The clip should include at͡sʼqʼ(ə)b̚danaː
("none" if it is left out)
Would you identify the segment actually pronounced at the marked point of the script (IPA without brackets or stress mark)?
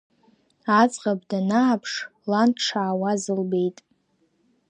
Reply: a